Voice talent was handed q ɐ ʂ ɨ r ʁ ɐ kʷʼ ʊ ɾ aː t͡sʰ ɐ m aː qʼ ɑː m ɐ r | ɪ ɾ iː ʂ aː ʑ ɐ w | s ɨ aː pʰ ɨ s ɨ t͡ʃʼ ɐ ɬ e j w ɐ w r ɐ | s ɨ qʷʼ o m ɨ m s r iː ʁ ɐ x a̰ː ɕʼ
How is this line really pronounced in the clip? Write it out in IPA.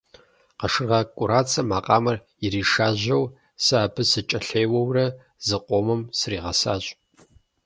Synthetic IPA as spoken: q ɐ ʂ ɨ r ʁ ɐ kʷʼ ʊ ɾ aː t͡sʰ ɐ m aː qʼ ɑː m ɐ r | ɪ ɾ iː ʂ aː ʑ ɐ w | s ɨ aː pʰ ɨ s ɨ t͡ʃʼ ɐ ɬ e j w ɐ w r ɐ | z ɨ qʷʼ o m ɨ m s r iː ʁ ɐ s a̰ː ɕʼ